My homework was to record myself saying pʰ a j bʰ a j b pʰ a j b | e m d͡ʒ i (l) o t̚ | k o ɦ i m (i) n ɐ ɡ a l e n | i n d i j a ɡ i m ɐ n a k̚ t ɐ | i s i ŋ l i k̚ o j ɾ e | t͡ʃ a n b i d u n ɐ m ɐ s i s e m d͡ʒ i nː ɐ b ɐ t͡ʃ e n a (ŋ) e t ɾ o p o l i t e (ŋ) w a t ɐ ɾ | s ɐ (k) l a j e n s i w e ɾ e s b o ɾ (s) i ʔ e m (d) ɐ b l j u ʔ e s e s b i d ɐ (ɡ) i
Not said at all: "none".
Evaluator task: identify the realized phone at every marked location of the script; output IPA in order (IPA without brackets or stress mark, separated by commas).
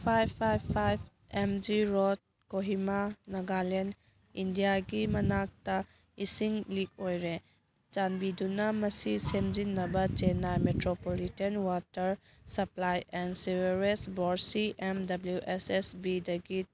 ɾ, a, m, n, p, s, d, ɡ